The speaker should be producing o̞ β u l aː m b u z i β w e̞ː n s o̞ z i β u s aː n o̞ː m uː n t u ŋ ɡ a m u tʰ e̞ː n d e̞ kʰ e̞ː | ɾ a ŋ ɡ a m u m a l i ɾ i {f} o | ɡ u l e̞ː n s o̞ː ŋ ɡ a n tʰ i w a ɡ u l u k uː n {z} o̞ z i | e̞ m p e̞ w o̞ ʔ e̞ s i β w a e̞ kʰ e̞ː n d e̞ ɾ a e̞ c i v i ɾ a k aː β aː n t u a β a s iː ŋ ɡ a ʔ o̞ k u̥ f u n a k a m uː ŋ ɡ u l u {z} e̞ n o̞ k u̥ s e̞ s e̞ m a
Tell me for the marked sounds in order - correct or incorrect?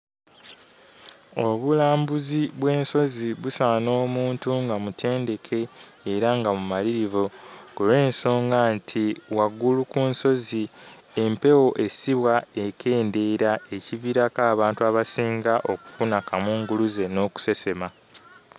incorrect, incorrect, correct

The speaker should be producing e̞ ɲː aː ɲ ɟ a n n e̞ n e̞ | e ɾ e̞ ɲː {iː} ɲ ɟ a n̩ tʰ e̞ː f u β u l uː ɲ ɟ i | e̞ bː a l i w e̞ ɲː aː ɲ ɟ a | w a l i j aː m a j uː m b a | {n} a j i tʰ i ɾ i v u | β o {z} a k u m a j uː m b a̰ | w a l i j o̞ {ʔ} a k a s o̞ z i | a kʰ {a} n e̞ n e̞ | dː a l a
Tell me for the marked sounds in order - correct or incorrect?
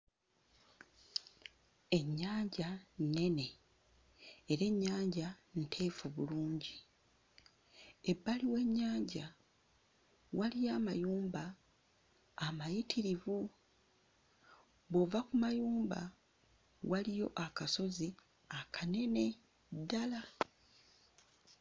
incorrect, incorrect, incorrect, correct, correct

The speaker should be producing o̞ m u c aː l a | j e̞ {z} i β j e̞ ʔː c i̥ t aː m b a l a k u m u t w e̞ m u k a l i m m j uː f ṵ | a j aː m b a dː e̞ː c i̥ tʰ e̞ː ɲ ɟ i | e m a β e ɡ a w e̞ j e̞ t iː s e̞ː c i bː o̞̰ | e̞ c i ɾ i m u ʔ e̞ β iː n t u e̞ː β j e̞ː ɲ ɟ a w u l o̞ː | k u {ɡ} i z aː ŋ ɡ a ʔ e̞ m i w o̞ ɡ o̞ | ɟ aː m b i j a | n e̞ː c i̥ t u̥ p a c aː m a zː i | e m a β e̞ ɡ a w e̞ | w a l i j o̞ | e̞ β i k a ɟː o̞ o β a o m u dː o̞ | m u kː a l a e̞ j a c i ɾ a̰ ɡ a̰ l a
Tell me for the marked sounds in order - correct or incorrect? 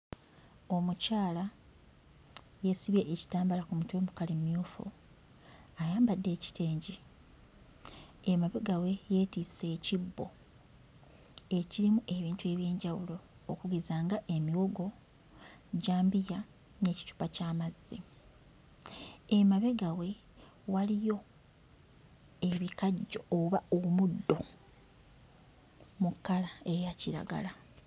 incorrect, correct

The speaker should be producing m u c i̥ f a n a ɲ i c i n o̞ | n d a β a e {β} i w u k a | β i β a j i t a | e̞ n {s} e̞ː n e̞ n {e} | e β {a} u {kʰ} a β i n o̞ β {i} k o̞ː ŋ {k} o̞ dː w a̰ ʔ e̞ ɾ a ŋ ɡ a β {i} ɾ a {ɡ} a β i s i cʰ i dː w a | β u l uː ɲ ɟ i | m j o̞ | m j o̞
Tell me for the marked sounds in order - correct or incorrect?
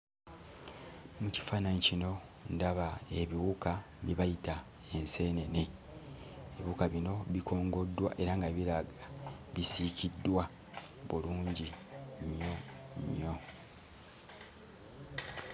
correct, correct, correct, incorrect, incorrect, correct, incorrect, correct, correct

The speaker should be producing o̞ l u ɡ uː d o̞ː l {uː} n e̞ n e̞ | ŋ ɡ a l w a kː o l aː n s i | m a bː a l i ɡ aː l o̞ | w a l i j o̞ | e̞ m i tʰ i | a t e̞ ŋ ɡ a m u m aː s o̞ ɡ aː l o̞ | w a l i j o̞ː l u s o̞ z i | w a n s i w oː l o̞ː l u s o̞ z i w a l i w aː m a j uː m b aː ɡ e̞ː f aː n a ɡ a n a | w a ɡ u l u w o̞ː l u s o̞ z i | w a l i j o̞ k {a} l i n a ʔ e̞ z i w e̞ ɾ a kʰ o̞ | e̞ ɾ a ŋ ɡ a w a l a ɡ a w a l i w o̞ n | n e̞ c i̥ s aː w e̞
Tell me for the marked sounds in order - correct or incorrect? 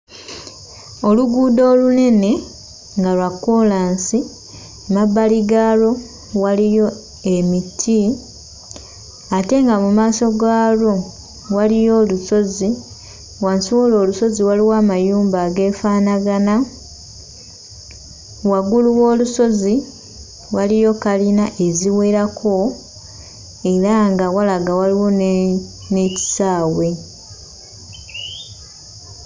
incorrect, correct

